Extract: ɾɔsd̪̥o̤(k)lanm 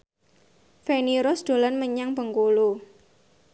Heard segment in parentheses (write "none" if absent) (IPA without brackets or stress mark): none